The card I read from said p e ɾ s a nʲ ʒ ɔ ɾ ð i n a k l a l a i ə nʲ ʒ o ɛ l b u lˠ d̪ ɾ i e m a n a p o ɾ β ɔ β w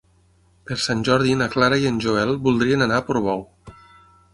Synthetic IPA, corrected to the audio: p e ɾ s a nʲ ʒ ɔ ɾ ð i n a k l a ɾ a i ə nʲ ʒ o ɛ l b u lˠ d̪ ɾ i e n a n a p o ɾ β ɔ w